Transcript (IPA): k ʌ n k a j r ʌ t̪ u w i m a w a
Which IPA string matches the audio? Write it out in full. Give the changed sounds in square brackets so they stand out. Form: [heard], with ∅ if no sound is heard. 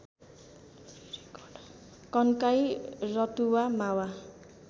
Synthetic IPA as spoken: k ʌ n k a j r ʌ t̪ u w [a] m a w a